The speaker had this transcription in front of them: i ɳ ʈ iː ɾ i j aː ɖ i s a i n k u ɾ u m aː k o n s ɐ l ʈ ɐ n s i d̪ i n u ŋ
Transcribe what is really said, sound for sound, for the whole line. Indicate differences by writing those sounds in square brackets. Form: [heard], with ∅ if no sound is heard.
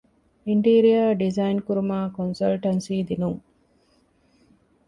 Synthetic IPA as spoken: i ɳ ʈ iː ɾ i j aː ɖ i [z] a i n k u ɾ u m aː k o n s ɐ l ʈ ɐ n s [iː] d̪ i n u ŋ

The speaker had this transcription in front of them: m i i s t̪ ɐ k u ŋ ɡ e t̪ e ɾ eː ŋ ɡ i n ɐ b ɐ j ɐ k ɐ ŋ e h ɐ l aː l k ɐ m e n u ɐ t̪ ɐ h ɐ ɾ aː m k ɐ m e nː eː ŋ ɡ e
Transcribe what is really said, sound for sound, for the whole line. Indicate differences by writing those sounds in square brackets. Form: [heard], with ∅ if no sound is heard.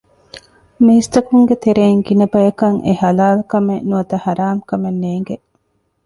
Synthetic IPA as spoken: m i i s t̪ ɐ k u ŋ ɡ e t̪ e ɾ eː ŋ ɡ i n ɐ b ɐ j ɐ k ɐ ŋ e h ɐ l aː l k ɐ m e n u ɐ t̪ ɐ h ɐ ɾ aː m k ɐ m e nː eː ŋ ɡ e

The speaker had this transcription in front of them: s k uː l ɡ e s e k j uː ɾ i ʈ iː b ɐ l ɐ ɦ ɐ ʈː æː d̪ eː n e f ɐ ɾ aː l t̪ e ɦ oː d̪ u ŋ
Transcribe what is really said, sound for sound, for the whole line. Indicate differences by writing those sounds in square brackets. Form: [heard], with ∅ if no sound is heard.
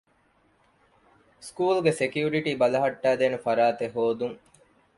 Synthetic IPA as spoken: s k uː l ɡ e s e k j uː ɾ i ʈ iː b ɐ l ɐ ɦ ɐ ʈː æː d̪ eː n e f ɐ ɾ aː [∅] t̪ e ɦ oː d̪ u ŋ

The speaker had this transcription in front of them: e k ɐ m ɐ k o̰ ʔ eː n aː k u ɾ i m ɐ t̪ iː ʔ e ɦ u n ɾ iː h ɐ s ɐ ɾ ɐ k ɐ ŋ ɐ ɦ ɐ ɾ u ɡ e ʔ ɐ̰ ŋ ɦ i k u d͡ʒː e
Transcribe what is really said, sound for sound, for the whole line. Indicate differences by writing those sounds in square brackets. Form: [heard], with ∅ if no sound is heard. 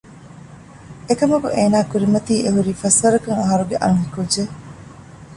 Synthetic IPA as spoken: e k ɐ m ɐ k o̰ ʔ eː n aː k u ɾ i m ɐ t̪ iː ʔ e ɦ u [∅] ɾ iː [f] ɐ s ɐ ɾ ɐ k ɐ ŋ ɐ ɦ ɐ ɾ u ɡ e ʔ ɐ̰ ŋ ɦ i k u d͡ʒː e

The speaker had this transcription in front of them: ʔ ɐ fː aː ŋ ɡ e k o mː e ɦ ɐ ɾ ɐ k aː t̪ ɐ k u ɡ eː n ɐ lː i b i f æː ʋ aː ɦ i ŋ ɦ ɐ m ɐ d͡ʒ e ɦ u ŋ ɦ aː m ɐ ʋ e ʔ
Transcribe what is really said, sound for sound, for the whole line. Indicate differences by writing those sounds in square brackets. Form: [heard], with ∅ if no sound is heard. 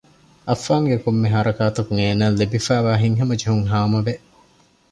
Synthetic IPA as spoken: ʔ ɐ fː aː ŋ ɡ e k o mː e ɦ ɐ ɾ ɐ k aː t̪ ɐ k u [ŋ] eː n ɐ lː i b i f æː ʋ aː ɦ i ŋ ɦ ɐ m ɐ d͡ʒ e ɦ u ŋ ɦ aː m ɐ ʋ e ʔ

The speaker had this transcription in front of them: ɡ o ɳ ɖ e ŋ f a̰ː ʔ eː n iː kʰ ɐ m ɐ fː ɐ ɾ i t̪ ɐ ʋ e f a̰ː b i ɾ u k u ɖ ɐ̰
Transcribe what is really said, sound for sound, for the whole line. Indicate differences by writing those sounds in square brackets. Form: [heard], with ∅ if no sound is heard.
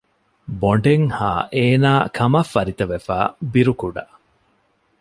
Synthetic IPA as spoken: [b] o ɳ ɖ e ŋ [h] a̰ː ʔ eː n [aː] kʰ ɐ m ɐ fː ɐ ɾ i t̪ ɐ ʋ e f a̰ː b i ɾ u k u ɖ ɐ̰

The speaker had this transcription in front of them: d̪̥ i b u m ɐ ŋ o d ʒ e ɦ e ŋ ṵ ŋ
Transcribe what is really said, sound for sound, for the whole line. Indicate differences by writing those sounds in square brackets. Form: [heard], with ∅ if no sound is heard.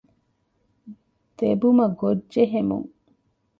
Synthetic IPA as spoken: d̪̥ [e] b u m ɐ [ɡ] o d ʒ e ɦ e [m] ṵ ŋ

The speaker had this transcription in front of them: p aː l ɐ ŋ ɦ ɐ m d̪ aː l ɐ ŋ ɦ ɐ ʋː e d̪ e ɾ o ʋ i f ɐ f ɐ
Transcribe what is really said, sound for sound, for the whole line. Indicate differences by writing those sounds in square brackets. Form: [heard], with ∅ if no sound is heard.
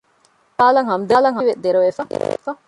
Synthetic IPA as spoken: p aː l ɐ ŋ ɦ ɐ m d̪ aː l ɐ ŋ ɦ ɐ [ʋ] e d̪ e ɾ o ʋ [e] f ɐ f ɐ

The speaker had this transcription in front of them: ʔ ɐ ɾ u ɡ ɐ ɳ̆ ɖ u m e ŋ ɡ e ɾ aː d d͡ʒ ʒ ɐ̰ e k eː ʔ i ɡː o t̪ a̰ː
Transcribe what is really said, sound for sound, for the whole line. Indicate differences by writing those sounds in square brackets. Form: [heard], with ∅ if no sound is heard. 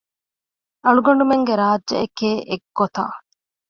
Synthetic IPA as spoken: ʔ ɐ [ɭ] u ɡ ɐ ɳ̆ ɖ u m e ŋ ɡ e ɾ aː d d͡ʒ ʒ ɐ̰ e k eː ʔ [e] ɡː o t̪ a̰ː

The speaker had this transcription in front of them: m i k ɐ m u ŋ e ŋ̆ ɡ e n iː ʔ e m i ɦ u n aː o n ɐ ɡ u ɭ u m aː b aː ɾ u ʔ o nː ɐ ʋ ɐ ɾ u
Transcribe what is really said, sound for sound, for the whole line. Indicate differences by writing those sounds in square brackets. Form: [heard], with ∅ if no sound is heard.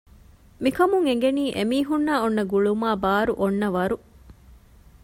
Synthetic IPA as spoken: m i k ɐ m u ŋ e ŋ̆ ɡ e n iː ʔ e m [iː] ɦ u [nː] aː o [nː] ɐ ɡ u ɭ u m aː b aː ɾ u ʔ o nː ɐ ʋ ɐ ɾ u

